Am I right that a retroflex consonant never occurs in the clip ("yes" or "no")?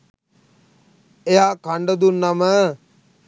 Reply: no